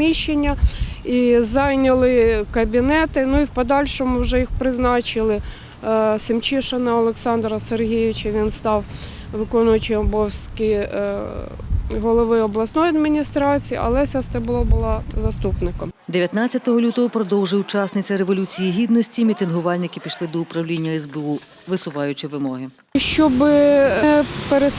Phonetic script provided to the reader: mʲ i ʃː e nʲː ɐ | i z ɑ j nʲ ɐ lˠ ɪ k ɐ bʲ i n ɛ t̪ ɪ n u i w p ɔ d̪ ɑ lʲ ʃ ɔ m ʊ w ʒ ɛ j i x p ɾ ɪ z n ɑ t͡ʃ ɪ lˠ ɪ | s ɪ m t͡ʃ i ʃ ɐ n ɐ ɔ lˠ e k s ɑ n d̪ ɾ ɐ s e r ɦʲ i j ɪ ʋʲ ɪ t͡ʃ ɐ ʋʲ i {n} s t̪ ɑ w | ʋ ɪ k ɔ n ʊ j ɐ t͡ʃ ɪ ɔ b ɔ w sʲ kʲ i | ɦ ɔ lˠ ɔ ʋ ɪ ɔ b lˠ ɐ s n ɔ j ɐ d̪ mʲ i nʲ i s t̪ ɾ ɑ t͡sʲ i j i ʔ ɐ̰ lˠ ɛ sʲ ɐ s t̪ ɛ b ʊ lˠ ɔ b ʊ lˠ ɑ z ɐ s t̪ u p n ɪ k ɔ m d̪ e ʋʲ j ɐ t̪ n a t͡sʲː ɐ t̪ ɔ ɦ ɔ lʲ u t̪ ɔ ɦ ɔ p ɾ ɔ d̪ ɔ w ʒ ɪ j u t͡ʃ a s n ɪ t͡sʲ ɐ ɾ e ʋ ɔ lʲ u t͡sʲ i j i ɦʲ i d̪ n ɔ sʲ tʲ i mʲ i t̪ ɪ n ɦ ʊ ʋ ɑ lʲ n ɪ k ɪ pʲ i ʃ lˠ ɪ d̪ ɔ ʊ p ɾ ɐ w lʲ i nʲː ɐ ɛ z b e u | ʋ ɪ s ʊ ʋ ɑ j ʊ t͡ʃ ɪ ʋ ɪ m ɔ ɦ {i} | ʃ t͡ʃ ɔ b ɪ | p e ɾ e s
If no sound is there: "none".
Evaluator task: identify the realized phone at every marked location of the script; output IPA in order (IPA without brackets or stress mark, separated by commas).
n, ɪ